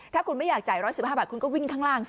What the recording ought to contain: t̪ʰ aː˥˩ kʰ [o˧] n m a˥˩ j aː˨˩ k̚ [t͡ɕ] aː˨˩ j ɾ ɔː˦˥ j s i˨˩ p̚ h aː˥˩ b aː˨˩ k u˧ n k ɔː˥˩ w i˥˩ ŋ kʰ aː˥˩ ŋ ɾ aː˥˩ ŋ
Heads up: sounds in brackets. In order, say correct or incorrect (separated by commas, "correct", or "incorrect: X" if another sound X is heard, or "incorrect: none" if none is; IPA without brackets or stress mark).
incorrect: u˧, correct